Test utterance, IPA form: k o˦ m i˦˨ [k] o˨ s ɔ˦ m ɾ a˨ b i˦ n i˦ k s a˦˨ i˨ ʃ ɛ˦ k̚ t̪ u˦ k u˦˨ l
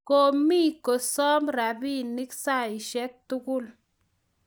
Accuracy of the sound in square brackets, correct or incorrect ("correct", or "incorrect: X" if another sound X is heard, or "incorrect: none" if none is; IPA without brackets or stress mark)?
correct